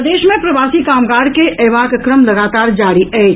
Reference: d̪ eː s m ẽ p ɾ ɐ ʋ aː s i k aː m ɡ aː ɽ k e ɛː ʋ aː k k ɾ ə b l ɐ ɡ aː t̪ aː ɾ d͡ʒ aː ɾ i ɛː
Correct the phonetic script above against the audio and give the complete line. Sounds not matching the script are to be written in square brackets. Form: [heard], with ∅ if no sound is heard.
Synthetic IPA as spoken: d̪ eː [ʃ] m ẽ p ɾ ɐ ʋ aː s i k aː m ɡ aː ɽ k e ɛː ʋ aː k k ɾ ə [m] l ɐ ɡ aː t̪ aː ɾ d͡ʒ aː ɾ i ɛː